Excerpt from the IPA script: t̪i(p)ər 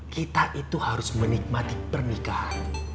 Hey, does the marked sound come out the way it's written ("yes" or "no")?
yes